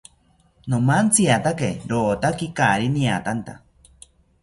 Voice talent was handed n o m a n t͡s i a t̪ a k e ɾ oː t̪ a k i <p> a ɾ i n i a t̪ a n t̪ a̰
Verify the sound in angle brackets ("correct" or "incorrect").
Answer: incorrect